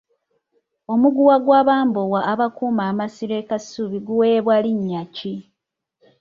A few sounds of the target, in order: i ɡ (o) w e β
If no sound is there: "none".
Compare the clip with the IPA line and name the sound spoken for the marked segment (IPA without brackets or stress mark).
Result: u